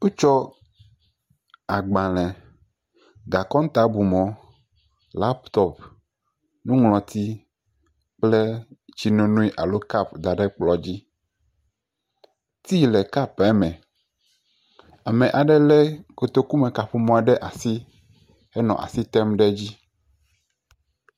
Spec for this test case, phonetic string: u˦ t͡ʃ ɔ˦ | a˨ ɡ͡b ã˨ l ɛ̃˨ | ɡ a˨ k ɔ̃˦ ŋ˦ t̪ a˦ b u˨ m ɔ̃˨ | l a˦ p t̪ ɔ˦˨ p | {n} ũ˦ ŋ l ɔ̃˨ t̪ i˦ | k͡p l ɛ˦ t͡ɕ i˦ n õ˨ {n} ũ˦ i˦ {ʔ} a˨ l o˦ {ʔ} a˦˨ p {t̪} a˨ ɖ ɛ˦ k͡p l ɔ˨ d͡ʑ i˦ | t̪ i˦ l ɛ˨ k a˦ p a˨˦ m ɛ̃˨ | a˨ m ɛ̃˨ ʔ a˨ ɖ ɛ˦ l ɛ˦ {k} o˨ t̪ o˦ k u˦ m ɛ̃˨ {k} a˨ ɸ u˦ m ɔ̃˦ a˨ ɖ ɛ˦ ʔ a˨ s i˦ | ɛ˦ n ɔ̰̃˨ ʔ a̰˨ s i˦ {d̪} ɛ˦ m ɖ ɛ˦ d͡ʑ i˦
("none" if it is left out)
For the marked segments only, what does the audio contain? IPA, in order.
n, n, ʔ, k, d̪, k, k, t̪

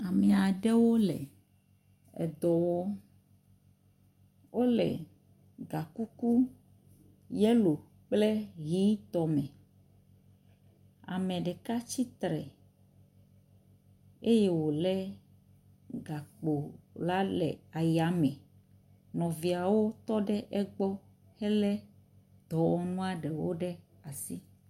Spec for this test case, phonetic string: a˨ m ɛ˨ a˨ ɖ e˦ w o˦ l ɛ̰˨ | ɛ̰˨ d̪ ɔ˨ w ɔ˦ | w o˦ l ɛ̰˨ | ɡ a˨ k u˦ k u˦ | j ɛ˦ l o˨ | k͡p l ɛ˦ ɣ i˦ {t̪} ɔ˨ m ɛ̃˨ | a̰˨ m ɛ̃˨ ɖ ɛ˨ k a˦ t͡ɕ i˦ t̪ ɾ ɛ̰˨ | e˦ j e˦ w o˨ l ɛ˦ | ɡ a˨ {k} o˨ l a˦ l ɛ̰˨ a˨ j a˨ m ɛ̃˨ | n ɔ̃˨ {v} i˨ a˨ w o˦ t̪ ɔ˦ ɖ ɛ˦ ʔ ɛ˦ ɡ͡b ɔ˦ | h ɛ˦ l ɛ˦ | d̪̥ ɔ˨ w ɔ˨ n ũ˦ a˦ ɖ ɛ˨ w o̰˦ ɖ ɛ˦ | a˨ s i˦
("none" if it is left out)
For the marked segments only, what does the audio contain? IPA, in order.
t̪, k͡p, v

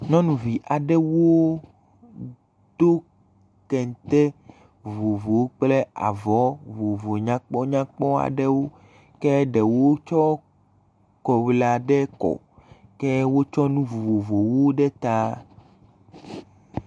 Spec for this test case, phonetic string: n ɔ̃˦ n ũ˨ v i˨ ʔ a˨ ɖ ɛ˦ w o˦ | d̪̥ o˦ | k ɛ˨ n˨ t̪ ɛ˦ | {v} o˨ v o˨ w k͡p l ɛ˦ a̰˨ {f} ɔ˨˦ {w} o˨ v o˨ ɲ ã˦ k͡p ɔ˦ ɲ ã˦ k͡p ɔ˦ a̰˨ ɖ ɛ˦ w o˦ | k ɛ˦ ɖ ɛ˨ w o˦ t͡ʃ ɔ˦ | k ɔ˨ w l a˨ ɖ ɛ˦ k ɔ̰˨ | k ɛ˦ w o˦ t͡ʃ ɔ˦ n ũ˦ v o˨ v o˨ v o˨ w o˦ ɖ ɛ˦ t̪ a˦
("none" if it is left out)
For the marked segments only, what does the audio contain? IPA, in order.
v, v, v

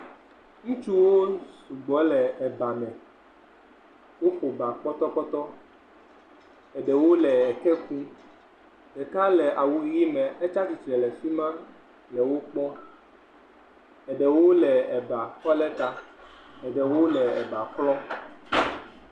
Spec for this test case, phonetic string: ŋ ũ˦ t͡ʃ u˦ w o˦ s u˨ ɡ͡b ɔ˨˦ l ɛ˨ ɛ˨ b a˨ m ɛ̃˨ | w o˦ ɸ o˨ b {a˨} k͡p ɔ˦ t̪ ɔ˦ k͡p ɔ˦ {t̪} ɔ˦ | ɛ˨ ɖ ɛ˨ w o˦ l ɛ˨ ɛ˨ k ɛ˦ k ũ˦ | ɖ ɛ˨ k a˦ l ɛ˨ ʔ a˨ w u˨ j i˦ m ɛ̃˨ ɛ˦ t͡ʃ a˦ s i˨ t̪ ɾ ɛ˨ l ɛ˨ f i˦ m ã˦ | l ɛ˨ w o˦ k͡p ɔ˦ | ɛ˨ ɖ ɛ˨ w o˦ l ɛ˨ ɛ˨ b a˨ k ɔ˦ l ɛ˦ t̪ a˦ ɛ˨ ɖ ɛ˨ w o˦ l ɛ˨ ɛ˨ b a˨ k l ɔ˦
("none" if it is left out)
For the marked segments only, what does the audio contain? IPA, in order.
a˨, t̪

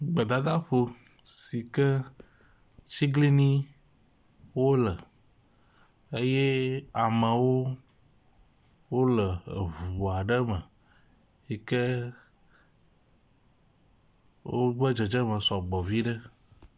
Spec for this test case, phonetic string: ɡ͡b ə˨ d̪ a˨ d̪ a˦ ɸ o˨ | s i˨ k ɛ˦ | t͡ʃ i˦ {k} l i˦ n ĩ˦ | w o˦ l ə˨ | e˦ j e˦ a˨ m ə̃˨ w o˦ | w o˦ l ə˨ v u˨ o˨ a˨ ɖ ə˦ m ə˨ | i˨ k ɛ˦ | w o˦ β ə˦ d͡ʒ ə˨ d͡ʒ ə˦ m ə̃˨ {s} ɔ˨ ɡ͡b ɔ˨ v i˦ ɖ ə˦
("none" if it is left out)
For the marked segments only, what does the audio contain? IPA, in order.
ɡ, s

